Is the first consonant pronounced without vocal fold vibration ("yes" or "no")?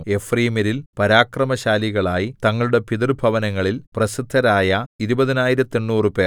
yes